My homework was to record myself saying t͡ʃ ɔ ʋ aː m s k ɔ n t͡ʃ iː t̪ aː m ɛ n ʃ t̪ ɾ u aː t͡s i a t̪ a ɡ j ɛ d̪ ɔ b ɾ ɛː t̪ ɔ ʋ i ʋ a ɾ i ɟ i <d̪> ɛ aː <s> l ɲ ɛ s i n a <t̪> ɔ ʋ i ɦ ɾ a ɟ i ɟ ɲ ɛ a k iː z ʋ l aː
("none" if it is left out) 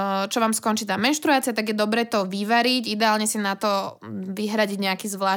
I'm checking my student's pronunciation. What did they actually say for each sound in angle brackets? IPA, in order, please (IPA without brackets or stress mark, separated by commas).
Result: d̪, none, t̪